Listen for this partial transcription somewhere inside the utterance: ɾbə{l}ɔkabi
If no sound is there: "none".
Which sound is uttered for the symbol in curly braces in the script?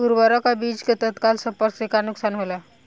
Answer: ɾ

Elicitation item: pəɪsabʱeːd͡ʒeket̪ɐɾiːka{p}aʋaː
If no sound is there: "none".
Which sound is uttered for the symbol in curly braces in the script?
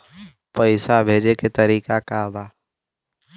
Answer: k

